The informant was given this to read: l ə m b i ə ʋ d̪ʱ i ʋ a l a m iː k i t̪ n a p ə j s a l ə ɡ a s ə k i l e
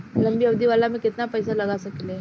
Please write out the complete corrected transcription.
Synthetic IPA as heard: l ə m b i ə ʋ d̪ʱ i ʋ a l a m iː k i t̪ n a p ə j s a l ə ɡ a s ə k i l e

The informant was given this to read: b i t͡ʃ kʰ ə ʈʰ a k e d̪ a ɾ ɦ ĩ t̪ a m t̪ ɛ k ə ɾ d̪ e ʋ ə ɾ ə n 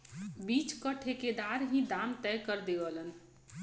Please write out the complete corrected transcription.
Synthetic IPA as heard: b i t͡ʃ k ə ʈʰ e k e d̪ a ɾ ɦ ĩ d̪ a m t̪ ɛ k ə ɾ d̪ e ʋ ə l ə n

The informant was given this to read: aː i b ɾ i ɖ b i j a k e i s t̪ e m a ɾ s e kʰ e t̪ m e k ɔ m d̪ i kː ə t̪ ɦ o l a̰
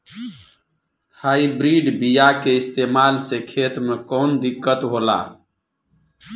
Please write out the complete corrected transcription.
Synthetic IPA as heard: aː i b ɾ i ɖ b i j a k e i s t̪ e m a l s e kʰ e t̪ m e k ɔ n d̪ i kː ə t̪ ɦ o l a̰

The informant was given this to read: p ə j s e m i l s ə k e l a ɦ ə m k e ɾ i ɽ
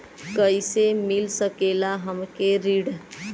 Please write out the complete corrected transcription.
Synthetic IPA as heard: k ə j s e m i l s ə k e l a ɦ ə m k e ɾ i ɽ

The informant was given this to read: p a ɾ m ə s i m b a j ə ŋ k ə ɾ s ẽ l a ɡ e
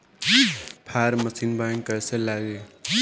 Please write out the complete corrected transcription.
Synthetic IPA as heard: pʰ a ɾ m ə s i n b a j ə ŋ k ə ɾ s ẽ l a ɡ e

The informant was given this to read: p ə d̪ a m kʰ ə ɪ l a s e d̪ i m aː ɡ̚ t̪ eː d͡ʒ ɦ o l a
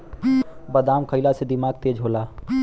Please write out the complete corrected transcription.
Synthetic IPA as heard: b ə d̪ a m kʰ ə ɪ l a s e d̪ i m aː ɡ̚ t̪ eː d͡ʒ ɦ o l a

